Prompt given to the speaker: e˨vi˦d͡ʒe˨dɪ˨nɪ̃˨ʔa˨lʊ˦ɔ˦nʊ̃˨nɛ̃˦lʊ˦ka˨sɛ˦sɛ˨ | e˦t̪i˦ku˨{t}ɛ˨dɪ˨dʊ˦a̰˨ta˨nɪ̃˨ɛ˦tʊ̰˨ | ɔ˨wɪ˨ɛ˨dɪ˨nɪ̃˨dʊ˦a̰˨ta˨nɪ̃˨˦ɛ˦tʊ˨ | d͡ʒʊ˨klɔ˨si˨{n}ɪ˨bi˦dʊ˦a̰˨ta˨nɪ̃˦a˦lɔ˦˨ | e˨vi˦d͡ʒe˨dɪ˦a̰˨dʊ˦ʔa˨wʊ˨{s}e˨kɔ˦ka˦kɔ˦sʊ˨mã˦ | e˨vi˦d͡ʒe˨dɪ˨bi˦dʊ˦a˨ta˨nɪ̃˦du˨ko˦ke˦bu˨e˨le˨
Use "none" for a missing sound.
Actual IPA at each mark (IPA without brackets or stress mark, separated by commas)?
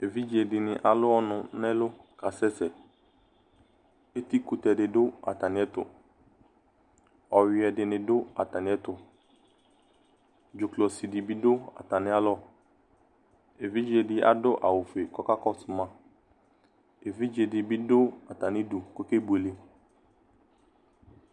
t, d, f